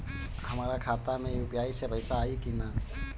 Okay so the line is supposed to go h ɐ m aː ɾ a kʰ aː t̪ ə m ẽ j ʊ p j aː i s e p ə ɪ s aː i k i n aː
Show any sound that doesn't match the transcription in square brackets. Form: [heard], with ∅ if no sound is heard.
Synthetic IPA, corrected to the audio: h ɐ m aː ɾ a kʰ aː t̪ [a] m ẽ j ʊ p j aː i s e p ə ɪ s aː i k i n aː